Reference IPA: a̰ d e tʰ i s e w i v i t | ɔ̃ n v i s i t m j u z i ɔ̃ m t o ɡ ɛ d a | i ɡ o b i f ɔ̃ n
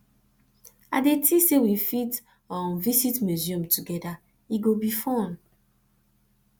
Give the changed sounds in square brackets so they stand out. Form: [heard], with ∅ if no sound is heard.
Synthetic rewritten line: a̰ d e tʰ i s e w i [f] i t | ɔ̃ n v i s i t m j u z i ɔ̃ m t [u] ɡ ɛ d a | i ɡ o b i f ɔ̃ n